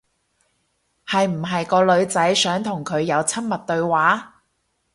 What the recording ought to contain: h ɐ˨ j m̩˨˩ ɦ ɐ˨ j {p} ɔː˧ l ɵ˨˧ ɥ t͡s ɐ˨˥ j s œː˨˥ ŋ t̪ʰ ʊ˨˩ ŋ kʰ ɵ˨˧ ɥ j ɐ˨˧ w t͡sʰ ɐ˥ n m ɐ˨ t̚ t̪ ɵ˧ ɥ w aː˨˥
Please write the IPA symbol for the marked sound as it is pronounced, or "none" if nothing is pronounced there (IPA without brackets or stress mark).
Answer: k